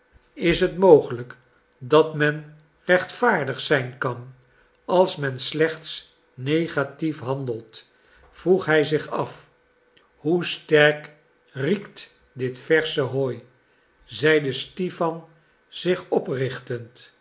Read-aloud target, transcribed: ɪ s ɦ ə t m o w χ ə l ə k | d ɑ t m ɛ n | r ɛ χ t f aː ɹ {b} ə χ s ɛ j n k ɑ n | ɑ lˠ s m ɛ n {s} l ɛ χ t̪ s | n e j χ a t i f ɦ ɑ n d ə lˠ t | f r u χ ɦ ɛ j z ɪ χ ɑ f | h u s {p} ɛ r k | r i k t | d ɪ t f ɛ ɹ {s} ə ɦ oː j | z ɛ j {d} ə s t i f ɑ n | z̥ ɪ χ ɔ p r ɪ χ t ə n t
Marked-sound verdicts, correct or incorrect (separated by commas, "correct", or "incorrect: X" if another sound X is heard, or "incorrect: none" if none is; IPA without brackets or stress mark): incorrect: d, correct, incorrect: t, correct, correct